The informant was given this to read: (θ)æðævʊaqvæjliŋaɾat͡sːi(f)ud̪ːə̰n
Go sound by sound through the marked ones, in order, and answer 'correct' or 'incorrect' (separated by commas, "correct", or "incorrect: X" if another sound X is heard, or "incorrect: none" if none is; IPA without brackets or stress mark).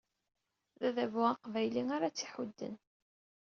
incorrect: ð, incorrect: ħ